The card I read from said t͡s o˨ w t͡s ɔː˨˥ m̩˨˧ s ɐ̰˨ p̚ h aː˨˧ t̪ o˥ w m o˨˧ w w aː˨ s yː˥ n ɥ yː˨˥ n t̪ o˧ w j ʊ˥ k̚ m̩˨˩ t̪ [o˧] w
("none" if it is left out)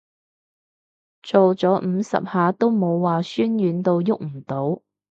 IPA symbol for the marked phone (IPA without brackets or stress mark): o˨˥